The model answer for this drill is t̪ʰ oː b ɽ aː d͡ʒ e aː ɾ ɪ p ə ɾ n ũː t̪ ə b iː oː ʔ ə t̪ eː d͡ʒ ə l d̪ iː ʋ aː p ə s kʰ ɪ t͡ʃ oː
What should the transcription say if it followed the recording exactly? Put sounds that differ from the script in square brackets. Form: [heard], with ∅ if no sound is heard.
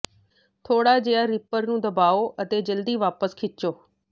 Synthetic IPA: t̪ʰ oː [∅] ɽ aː d͡ʒ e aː ɾ ɪ p ə ɾ n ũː [d̪] ə b [aː] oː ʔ ə t̪ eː d͡ʒ ə l d̪ iː ʋ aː p ə s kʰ ɪ t͡ʃ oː